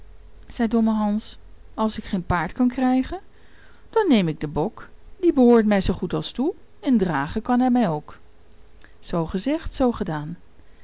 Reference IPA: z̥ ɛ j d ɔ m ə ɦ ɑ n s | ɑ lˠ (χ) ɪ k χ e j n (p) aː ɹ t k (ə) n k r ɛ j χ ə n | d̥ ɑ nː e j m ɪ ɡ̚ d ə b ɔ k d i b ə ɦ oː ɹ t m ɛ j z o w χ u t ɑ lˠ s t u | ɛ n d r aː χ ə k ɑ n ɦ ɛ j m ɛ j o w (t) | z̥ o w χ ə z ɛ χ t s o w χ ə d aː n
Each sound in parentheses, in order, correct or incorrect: incorrect: s, correct, incorrect: ɑ, incorrect: k

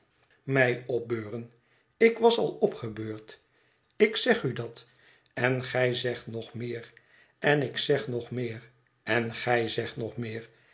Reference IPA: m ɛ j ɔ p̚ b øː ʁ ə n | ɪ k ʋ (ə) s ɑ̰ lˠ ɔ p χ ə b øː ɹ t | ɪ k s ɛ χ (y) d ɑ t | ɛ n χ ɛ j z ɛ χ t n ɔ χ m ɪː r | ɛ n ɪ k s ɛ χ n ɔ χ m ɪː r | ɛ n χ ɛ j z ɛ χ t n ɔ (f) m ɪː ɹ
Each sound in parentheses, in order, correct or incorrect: incorrect: ɑ, correct, incorrect: χ

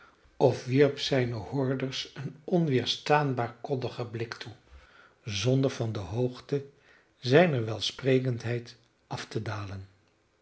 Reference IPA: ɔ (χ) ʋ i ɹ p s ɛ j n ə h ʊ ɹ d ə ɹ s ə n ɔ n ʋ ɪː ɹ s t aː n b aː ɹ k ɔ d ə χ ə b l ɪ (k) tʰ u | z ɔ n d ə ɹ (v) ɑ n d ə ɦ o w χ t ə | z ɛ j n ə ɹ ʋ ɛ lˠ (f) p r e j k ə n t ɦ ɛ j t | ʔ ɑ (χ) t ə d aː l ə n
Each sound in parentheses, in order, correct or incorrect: incorrect: f, correct, correct, incorrect: s, incorrect: f

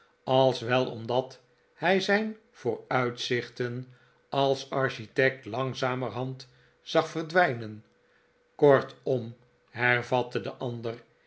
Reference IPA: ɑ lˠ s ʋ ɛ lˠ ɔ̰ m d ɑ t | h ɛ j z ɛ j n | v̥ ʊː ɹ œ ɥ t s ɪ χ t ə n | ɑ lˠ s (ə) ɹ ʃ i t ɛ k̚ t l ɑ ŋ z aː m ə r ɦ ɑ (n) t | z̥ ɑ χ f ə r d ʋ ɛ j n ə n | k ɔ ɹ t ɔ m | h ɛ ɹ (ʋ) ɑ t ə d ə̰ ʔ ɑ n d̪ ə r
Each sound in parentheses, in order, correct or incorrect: incorrect: ɑ, correct, incorrect: v

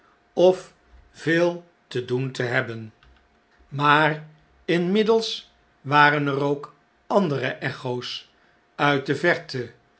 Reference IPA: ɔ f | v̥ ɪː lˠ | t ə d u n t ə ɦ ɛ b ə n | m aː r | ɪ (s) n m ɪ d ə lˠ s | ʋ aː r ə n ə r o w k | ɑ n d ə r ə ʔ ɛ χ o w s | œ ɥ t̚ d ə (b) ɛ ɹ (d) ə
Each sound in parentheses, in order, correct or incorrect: incorrect: none, incorrect: v, incorrect: t

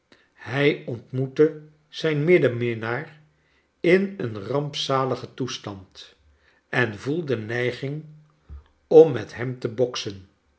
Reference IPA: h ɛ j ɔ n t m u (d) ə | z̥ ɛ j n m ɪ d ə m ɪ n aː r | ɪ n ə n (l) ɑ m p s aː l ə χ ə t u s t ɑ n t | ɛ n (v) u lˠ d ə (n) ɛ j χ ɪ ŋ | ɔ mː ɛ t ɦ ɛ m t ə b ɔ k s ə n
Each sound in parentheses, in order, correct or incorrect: incorrect: t, incorrect: r, correct, correct

